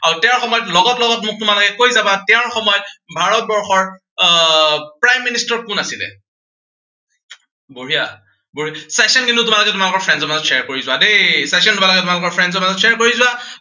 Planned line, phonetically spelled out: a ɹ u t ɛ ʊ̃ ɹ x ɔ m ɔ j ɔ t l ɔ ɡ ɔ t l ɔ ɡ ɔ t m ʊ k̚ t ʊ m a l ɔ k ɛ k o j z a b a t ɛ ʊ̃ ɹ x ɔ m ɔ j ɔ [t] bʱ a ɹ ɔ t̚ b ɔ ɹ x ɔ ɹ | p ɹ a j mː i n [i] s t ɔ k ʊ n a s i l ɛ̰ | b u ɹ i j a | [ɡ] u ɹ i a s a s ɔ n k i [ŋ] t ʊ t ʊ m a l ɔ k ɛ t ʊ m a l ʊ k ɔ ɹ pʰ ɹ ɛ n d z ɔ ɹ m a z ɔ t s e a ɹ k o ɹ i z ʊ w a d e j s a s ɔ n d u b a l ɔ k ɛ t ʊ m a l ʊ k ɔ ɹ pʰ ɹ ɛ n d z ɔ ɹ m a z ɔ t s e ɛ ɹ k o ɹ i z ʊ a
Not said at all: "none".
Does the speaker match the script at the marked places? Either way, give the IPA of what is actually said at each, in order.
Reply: t, i, b, n

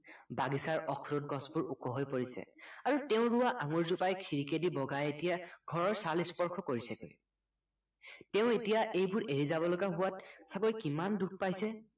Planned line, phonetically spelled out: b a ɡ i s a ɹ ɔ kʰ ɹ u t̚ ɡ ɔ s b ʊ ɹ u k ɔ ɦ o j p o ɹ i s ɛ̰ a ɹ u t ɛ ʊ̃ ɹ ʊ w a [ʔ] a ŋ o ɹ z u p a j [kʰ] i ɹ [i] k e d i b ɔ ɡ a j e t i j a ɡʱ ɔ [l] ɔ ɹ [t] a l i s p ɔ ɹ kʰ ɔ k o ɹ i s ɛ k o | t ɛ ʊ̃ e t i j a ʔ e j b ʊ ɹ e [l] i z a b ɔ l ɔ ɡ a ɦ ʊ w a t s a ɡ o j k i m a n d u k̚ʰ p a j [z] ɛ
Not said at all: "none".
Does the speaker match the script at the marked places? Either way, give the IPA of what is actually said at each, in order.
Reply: ʔ, kʰ, i, ɹ, s, ɹ, s

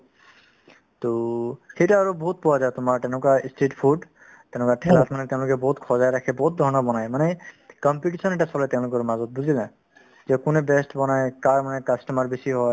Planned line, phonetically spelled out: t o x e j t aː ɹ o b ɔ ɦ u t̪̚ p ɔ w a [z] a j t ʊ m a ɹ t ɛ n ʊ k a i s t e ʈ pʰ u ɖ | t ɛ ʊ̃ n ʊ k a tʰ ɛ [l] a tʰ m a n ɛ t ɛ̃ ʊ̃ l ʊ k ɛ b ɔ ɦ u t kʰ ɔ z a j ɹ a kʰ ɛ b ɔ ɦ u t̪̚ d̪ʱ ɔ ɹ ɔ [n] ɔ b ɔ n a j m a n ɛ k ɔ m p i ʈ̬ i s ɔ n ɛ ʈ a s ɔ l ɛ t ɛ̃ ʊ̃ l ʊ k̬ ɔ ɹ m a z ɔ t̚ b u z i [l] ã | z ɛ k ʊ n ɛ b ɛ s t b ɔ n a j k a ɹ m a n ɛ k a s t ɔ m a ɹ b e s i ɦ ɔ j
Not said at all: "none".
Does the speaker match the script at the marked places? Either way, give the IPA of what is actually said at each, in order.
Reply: z, l, n, l

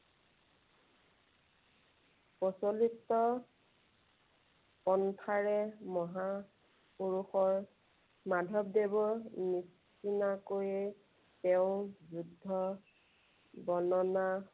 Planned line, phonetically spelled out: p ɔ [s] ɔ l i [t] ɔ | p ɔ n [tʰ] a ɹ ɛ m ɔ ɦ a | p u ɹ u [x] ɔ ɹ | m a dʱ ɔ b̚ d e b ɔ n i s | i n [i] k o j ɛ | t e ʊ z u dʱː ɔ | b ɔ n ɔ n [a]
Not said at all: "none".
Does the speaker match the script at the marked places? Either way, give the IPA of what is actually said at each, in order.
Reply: s, t, tʰ, x, a, a

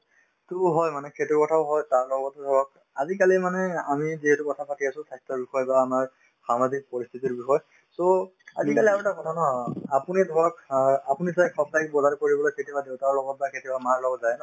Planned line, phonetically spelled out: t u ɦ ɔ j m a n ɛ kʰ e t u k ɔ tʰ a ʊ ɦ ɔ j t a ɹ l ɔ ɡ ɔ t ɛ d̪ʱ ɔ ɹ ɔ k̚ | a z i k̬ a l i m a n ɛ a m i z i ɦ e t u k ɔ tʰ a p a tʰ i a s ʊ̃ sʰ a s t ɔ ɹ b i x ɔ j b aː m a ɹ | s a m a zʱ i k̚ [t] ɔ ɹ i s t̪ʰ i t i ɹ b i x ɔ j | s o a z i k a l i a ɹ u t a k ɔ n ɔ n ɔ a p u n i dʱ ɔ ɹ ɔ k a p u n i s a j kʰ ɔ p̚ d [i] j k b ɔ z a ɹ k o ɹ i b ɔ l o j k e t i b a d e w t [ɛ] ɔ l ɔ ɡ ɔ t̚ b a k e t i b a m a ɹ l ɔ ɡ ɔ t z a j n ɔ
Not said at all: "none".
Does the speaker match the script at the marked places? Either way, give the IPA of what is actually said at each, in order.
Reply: p, a, a

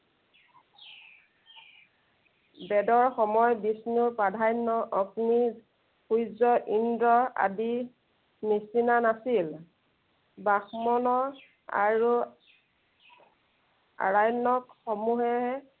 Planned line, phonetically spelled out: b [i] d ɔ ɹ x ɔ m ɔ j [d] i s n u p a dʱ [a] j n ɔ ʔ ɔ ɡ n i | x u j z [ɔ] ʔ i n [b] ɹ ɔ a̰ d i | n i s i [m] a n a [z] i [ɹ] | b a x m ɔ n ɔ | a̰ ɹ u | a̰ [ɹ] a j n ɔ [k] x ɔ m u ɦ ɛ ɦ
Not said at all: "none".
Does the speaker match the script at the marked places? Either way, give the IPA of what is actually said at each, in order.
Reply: ɛ, b, a, ɔ, d, n, s, l, ɹ, k

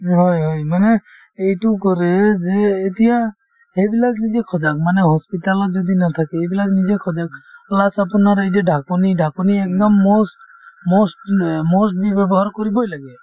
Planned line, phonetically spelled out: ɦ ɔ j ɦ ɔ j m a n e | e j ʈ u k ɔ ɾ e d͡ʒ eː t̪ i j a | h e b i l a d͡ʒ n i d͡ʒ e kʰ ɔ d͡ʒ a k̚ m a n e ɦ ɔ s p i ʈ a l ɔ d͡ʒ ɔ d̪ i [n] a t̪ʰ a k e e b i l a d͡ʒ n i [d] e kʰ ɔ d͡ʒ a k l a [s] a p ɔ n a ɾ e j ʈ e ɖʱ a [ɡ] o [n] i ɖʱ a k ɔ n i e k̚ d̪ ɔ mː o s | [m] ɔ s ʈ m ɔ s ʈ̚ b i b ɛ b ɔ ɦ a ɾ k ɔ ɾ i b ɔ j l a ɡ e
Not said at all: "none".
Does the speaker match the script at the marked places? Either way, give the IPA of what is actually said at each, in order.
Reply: n, d͡ʒ, s, k, n, m

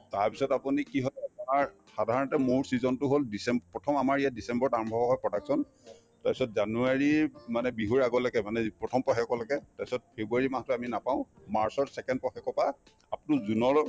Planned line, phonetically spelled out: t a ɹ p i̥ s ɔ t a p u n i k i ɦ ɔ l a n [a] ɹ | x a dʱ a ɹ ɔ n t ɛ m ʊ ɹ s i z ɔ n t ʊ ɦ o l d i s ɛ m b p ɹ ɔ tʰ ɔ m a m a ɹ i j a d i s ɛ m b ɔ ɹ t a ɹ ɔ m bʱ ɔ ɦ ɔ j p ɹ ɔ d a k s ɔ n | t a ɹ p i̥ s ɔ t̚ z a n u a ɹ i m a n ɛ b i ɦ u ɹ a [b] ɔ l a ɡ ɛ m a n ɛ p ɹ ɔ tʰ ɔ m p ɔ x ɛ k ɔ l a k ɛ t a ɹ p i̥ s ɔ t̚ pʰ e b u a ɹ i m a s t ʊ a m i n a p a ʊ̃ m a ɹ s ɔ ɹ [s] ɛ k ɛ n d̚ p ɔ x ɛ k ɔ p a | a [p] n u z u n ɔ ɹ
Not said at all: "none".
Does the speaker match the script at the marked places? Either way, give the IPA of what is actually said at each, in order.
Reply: a, ɡ, s, p

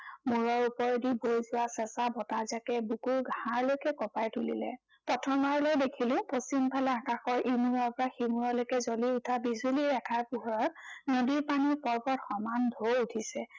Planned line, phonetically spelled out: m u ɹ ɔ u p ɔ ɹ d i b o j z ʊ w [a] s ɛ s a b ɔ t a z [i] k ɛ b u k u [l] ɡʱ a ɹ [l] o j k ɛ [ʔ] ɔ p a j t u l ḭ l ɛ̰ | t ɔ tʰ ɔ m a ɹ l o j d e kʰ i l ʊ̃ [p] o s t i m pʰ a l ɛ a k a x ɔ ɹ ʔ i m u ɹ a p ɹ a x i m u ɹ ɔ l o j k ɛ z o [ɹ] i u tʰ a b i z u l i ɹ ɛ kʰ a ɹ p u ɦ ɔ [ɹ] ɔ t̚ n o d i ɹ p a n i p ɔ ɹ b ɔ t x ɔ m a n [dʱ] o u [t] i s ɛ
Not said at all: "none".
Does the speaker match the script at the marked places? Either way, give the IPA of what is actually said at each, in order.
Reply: a, a, ɹ, l, k, p, l, ɹ, dʱ, tʰ

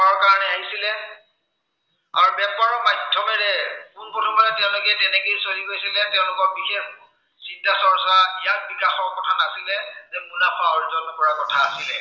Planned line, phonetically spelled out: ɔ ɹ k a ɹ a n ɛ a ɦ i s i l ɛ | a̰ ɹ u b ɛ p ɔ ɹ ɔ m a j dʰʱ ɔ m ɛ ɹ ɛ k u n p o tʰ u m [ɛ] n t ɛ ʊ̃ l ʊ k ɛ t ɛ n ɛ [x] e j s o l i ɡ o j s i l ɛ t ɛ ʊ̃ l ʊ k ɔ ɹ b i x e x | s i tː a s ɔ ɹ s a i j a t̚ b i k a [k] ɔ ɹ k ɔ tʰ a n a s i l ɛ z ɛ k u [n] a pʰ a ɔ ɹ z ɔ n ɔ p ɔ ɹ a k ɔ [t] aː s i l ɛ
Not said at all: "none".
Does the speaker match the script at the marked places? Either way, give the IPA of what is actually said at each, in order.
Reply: a, k, x, n, tʰ

